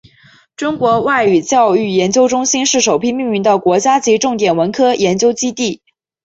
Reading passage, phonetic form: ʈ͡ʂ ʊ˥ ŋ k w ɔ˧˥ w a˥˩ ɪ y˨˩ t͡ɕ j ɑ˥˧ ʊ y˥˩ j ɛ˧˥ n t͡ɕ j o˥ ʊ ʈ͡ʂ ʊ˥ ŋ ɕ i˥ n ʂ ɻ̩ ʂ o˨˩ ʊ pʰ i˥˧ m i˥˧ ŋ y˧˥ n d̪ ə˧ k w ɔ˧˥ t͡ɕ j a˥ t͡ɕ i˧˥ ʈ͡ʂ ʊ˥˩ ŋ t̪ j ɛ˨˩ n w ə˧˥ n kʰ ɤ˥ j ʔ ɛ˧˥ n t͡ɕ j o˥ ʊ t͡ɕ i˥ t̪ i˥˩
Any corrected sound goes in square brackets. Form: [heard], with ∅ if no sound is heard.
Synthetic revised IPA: ʈ͡ʂ ʊ˥ ŋ k w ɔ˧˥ w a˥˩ ɪ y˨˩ t͡ɕ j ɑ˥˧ ʊ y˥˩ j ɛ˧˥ n t͡ɕ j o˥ ʊ ʈ͡ʂ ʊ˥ ŋ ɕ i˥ n ʂ ɻ̩ ʂ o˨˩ ʊ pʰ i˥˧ m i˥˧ ŋ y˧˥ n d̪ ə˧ k w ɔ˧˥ t͡ɕ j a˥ t͡ɕ i˧˥ ʈ͡ʂ ʊ˥˩ ŋ t̪ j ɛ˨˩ n w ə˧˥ n kʰ ɤ˥ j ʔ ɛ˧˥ n t͡ɕ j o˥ ʊ t͡ɕ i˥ t̪ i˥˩